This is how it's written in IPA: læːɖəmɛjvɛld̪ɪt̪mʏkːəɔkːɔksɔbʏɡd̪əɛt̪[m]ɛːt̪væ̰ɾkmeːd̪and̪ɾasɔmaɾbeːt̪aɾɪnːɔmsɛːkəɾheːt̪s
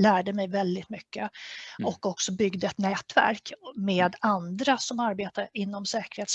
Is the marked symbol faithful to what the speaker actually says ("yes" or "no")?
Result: no